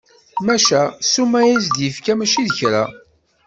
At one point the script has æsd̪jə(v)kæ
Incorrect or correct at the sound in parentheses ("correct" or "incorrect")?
incorrect